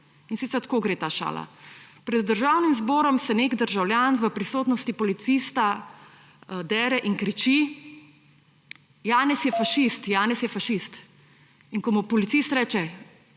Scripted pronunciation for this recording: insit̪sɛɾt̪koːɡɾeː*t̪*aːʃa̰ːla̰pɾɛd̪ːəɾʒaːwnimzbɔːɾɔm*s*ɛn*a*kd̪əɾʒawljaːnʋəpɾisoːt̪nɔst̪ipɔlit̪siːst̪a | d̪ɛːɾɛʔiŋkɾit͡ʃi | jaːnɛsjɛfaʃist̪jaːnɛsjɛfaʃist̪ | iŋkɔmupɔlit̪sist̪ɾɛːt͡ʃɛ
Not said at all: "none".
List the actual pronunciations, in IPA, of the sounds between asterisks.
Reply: t̪, s, e

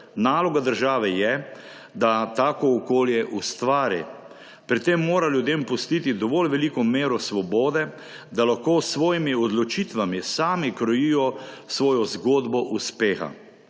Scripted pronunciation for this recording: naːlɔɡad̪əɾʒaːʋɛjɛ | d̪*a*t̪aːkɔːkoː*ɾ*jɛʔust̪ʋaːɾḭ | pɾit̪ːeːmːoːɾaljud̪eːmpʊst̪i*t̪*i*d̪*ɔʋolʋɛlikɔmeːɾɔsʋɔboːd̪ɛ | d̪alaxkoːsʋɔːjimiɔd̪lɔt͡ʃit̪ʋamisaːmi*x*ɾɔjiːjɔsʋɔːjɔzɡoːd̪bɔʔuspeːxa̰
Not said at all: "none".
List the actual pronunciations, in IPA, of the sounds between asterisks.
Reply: a, l, t̪, d̪, k

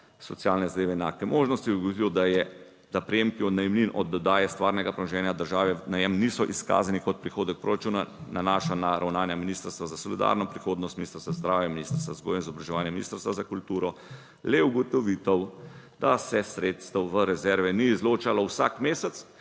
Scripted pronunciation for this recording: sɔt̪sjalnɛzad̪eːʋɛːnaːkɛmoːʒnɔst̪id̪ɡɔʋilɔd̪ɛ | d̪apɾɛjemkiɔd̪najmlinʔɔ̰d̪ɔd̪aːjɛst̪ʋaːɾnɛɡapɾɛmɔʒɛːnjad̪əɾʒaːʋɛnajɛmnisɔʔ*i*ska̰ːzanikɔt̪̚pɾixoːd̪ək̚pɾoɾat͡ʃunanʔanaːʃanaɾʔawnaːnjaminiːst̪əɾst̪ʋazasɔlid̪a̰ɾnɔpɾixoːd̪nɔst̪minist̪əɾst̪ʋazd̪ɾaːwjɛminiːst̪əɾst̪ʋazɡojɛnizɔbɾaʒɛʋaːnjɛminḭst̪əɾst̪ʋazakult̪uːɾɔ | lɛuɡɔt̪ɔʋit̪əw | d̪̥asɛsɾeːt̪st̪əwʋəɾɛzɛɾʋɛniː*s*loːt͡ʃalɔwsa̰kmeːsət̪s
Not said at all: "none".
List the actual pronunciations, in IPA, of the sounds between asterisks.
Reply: i, z

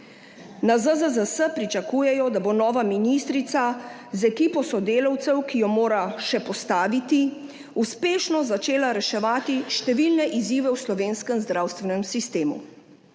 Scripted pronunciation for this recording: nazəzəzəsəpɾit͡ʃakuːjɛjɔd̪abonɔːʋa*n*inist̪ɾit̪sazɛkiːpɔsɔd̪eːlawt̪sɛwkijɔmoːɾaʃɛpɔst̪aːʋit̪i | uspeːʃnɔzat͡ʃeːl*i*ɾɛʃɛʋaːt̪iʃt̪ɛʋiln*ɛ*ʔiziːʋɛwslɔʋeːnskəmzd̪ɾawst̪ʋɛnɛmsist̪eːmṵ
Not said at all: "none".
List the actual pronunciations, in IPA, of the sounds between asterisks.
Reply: m, a, ɛ

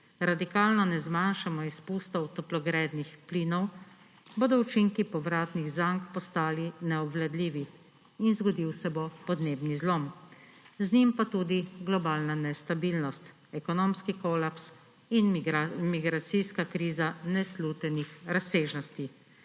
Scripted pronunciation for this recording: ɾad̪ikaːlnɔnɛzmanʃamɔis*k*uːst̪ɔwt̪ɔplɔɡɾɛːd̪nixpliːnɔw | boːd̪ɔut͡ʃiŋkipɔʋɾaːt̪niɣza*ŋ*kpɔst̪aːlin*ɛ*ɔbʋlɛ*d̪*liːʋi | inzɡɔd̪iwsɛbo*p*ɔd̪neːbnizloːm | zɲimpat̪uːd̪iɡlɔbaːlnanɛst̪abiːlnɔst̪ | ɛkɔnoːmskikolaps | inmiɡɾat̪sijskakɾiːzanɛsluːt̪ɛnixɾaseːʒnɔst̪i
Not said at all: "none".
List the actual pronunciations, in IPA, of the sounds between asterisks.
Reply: p, ŋ, ɛ, d̪, p

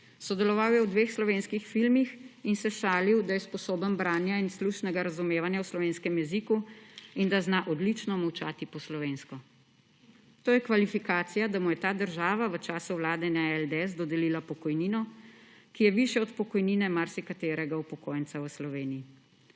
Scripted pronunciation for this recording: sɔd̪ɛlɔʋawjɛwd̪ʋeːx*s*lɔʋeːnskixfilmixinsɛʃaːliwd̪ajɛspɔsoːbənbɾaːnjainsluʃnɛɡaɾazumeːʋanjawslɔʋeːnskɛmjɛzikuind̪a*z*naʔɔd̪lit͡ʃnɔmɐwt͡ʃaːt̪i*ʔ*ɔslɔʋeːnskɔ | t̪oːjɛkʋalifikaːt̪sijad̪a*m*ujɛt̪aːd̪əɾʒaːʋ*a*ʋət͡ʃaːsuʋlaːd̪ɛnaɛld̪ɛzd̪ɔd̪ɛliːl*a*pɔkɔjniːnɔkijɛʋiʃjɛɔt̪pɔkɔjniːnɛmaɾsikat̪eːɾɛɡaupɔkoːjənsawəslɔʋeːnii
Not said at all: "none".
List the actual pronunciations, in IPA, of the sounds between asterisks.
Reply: s, z, p, m, a, a

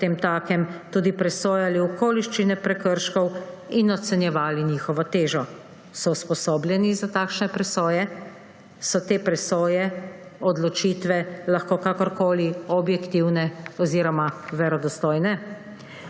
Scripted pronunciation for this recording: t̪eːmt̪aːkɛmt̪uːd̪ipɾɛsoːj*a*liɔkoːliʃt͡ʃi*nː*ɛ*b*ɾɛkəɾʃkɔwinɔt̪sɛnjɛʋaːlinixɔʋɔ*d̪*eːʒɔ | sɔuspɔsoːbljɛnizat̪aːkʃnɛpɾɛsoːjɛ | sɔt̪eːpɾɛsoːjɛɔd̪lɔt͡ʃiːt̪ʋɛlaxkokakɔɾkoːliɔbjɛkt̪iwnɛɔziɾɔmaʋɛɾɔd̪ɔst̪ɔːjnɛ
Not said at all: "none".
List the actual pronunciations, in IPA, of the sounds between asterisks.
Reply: a, n, p, t̪

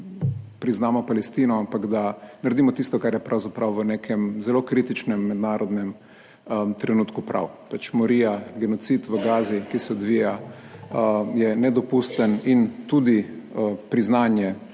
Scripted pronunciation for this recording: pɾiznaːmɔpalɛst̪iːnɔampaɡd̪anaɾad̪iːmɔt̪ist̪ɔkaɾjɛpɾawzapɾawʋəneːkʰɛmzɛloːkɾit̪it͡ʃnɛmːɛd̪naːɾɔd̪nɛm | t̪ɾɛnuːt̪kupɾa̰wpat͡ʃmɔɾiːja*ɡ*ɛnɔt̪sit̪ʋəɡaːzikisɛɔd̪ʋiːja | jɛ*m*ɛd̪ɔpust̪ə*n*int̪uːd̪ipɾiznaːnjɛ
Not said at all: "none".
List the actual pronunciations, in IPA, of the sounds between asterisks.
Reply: ɡ, n, n

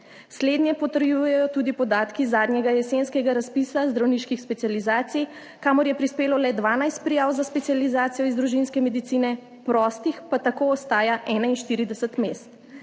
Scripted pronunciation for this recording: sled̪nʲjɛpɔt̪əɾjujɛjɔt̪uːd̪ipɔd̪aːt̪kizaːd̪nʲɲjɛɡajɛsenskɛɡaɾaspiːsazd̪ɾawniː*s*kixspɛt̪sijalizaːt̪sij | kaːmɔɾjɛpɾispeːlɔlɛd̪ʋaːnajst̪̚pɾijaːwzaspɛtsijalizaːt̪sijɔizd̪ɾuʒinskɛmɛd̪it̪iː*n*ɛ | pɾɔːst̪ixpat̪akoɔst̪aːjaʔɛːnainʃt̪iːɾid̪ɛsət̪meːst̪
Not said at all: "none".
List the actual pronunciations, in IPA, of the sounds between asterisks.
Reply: ʃ, n

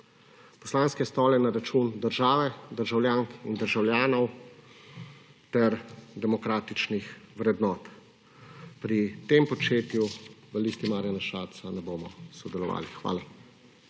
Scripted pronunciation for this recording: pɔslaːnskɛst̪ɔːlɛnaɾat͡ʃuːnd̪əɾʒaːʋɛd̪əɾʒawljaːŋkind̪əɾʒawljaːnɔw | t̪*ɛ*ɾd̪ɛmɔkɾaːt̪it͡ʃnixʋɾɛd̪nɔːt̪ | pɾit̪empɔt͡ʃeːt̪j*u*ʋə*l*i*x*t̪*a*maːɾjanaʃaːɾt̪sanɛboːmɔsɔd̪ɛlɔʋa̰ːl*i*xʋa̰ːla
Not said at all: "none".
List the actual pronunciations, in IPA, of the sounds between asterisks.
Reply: ɛ, u, l, s, i, i

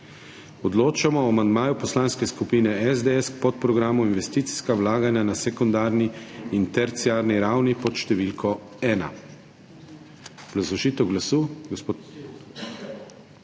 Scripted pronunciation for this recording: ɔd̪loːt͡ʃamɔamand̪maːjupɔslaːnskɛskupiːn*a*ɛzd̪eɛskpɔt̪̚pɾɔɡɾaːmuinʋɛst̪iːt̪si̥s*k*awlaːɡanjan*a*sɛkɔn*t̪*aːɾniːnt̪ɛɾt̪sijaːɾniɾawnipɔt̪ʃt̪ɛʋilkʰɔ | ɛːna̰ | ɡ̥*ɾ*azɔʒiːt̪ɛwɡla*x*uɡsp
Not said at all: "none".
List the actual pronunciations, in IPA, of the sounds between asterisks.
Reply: ɛ, k, a, d̪, l, s

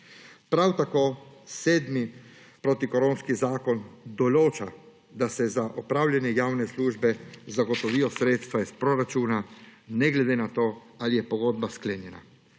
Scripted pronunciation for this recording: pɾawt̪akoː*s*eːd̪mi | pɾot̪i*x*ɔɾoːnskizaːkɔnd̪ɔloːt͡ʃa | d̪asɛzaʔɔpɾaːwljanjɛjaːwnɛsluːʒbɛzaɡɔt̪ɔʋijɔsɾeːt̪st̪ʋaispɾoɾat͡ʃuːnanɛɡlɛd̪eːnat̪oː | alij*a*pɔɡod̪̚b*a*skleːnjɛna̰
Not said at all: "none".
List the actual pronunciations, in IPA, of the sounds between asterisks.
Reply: s, k, ɛ, a

